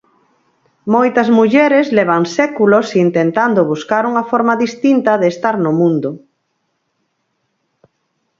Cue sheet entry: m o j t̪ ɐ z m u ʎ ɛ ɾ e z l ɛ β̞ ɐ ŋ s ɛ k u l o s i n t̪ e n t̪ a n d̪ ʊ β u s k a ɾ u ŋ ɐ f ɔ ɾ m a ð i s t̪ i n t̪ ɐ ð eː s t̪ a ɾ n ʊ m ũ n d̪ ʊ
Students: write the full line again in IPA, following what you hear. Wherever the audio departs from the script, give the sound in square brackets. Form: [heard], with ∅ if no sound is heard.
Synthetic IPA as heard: m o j t̪ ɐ z m u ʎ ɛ ɾ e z l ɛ β̞ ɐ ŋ s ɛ k u l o s i n t̪ e n t̪ a n d̪ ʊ β u s k a ɾ u ŋ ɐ f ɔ ɾ m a ð i s t̪ i n t̪ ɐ ð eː s t̪ a ɾ n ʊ m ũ n d̪ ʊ